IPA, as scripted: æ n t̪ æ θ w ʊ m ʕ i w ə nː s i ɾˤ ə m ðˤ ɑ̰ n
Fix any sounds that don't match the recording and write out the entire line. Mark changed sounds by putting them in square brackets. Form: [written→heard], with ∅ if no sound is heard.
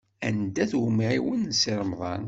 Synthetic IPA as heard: æ n [t̪→d̪] æ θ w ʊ m ʕ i w ə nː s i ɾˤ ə m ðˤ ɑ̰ n